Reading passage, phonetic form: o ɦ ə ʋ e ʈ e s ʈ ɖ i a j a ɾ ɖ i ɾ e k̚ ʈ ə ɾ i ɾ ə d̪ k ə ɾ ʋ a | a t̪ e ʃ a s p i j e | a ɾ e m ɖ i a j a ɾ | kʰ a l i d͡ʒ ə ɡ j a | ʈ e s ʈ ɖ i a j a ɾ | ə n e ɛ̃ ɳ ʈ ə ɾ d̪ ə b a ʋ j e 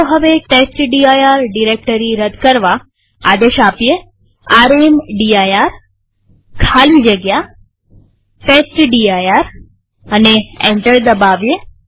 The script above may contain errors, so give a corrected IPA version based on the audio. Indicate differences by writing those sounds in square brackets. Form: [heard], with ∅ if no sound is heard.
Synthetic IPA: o ɦ ə ʋ e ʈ e s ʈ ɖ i a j a ɾ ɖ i ɾ e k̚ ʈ ə ɾ i ɾ ə d̪ k ə ɾ ʋ a | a [d̪] e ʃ a [∅] p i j e | a ɾ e m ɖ i a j a ɾ | kʰ a l i d͡ʒ ə ɡ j a | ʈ e s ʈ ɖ i a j a ɾ | ə n e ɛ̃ ɳ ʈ ə ɾ d̪ ə b a ʋ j e